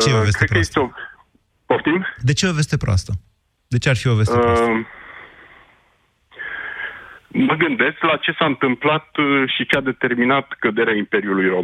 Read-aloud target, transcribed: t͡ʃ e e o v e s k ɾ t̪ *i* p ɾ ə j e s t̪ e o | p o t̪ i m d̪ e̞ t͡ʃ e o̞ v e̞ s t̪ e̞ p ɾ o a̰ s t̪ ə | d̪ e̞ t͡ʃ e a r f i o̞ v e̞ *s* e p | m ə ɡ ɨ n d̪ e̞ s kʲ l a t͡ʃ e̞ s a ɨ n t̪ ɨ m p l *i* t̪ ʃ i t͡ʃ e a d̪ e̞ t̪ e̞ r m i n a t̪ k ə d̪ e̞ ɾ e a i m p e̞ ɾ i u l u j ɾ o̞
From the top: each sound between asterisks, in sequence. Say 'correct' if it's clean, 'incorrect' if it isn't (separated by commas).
incorrect, correct, incorrect